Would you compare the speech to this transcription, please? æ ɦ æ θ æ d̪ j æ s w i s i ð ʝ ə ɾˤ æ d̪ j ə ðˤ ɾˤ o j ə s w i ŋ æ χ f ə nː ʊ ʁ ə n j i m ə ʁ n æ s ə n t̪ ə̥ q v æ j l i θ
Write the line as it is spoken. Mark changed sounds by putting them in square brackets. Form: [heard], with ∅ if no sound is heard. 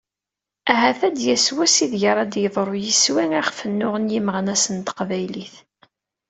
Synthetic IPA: æ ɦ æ θ æ d̪ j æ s w [æ] s i ð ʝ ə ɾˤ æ d̪ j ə ðˤ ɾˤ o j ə s w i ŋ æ χ f ə nː ʊ ʁ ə n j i m ə ʁ n æ s ə n t̪ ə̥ q v æ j l i θ